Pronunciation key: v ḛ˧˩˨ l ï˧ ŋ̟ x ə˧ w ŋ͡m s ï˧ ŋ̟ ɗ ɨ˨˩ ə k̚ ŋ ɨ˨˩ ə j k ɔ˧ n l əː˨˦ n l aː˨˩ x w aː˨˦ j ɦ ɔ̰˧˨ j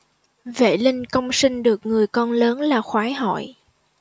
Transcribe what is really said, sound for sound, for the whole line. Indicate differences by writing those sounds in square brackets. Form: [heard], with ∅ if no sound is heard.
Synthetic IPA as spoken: v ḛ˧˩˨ l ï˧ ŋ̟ [k] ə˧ w ŋ͡m s ï˧ ŋ̟ ɗ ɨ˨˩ ə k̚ ŋ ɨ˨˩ ə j k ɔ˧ n l əː˨˦ n l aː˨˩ x w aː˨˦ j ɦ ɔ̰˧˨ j